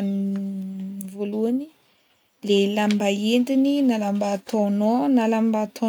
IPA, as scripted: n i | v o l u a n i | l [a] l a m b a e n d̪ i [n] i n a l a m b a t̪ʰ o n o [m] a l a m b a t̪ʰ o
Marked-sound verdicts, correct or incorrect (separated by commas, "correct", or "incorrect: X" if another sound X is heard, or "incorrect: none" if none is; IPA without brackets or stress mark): incorrect: e, correct, incorrect: n